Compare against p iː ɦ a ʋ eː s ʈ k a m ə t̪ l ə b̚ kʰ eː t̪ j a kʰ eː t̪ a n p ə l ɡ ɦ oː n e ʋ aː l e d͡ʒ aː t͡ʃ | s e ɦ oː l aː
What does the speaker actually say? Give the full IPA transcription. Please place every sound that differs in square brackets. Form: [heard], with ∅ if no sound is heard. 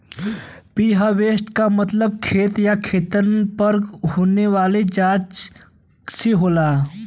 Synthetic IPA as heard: p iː ɦ a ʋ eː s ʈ k a m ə t̪ l ə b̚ kʰ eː t̪ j a kʰ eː t̪ [ə] n p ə [ɾ] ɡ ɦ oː n e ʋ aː l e d͡ʒ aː t͡ʃ | s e ɦ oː l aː